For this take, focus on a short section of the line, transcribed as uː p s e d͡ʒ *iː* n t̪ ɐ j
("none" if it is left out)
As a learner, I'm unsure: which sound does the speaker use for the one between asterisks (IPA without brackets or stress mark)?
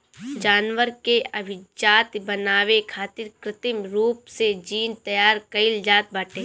iː